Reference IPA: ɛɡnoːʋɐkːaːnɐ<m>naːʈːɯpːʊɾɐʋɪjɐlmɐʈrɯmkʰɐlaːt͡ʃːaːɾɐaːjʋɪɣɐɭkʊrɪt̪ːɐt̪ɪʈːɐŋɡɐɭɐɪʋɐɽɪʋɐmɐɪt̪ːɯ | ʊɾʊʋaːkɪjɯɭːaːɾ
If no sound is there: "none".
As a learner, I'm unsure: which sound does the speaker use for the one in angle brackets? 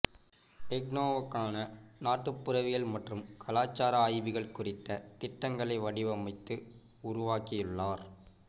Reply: none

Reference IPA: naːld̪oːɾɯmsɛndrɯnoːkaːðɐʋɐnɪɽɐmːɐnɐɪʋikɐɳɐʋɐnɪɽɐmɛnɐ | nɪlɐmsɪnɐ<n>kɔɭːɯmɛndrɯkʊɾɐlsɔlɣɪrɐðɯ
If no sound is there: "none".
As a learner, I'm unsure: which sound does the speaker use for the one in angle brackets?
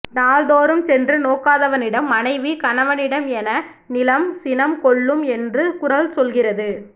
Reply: m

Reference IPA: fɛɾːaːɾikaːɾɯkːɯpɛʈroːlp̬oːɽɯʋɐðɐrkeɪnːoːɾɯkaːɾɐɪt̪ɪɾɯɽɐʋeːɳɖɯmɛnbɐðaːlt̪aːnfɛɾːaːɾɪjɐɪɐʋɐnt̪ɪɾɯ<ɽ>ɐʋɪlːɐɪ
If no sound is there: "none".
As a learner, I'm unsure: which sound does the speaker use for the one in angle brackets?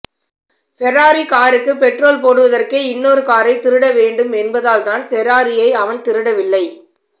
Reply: ɽ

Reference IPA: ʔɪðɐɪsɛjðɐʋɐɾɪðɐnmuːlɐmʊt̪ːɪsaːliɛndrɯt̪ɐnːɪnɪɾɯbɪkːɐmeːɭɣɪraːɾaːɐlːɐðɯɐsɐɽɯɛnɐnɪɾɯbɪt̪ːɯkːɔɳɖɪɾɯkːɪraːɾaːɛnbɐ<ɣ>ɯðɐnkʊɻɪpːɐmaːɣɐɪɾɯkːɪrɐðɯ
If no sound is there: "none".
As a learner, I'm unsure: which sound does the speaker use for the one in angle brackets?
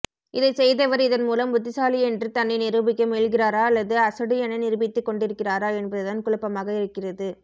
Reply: ð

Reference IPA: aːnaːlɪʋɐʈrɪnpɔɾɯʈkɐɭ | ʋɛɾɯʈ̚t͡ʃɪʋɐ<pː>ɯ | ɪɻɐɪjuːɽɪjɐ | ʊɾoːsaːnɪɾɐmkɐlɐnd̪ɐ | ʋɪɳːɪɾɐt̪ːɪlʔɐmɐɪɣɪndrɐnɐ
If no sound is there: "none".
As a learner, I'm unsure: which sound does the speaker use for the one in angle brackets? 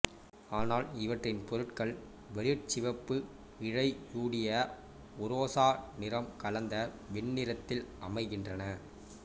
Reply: pː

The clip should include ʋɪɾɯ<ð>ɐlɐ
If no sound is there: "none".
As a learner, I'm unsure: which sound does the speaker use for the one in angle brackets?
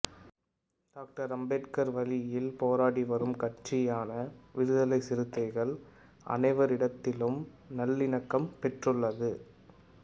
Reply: ð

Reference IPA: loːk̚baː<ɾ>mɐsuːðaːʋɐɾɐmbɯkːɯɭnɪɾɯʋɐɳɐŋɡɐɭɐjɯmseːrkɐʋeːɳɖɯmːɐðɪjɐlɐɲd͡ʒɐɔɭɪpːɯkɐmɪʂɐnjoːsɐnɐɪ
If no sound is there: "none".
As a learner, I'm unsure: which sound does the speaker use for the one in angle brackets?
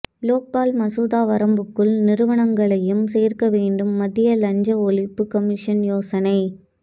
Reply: l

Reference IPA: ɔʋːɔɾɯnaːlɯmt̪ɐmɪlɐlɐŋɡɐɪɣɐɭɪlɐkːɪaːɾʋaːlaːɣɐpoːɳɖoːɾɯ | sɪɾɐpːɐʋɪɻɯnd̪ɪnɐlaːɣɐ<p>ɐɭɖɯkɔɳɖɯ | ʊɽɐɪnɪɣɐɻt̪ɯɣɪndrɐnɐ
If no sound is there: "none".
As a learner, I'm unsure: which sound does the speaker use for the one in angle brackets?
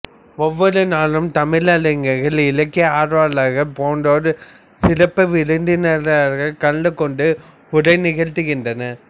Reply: k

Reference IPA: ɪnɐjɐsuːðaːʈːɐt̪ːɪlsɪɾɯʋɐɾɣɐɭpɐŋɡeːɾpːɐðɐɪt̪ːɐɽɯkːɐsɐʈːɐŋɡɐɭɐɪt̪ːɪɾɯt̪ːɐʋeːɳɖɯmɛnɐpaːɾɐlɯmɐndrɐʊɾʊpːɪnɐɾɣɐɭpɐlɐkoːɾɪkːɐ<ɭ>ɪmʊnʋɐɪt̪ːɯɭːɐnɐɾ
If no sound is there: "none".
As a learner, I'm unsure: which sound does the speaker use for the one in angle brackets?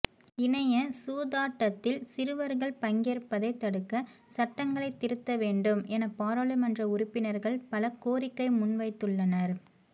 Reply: none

